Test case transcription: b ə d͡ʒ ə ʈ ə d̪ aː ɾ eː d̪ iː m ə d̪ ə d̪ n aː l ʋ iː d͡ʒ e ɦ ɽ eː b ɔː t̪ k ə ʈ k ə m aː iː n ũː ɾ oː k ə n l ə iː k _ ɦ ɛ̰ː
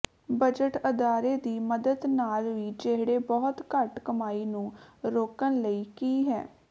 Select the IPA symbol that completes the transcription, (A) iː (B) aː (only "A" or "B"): A